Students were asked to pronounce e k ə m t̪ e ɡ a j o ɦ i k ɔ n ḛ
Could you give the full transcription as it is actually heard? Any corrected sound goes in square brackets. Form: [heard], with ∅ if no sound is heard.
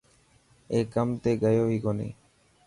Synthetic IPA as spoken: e k [a] m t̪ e ɡ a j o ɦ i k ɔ n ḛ